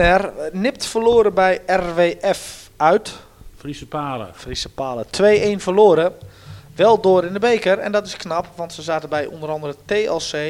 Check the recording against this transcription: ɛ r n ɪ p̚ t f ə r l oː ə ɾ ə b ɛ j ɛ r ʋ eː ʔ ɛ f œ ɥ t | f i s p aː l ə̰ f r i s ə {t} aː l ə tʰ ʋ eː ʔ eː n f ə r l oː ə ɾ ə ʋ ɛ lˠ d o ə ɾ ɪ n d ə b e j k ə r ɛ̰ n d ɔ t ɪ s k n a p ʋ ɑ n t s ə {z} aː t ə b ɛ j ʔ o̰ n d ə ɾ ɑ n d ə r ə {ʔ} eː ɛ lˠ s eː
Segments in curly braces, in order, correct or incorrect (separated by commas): incorrect, correct, incorrect